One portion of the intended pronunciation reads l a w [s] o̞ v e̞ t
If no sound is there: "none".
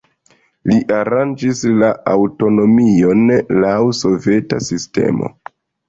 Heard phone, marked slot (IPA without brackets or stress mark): s